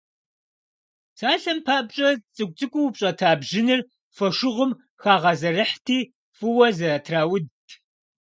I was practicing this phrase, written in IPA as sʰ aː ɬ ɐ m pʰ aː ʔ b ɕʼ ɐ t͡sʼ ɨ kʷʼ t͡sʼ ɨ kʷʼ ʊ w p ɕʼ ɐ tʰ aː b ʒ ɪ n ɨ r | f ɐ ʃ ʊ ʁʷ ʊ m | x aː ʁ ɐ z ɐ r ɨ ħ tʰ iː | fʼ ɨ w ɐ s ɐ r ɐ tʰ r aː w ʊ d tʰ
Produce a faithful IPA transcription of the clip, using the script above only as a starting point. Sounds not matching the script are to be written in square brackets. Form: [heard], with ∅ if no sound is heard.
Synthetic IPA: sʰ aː ɬ ɐ m pʰ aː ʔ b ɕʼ ɐ t͡sʼ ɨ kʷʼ t͡sʼ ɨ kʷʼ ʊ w p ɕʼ ɐ tʰ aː b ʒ ɪ n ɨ r | f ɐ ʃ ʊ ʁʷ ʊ m | x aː ʁ ɐ z ɐ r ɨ ħ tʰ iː | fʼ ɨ w ɐ [z] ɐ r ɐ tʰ r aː w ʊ d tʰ